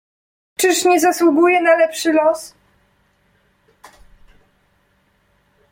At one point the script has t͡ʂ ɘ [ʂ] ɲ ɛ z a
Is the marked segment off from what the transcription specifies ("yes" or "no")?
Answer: no